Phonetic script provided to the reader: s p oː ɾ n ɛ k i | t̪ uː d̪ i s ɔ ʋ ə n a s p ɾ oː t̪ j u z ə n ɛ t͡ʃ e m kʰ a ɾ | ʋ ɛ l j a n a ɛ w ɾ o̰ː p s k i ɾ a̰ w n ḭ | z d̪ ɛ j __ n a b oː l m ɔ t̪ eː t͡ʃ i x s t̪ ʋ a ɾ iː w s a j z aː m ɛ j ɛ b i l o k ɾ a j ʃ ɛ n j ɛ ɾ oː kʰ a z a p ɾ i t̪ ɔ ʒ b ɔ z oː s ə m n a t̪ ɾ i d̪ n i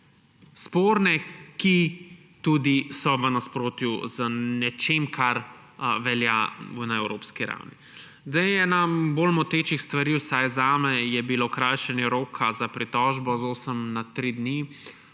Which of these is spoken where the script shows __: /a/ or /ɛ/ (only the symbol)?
ɛ